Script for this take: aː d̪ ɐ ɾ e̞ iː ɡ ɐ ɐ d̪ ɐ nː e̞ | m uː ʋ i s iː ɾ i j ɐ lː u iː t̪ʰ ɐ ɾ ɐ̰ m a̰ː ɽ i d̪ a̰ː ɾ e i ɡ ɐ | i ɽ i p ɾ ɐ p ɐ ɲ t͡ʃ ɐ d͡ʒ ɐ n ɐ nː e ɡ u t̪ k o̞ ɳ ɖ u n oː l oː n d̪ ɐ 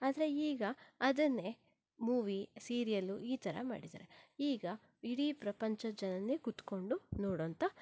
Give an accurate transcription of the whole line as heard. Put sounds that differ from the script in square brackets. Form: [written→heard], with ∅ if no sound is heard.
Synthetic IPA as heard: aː d̪ ɐ ɾ e̞ iː ɡ ɐ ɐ d̪ ɐ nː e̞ | m uː ʋ i s iː ɾ i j ɐ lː u iː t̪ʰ ɐ ɾ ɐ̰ m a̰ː ɽ i d̪ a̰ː ɾ e [i→iː] ɡ ɐ | i ɽ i p ɾ ɐ p ɐ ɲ t͡ʃ ɐ d͡ʒ ɐ n ɐ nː e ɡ u t̪ k o̞ ɳ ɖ u n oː [l→ɽ] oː n [d̪→t̪] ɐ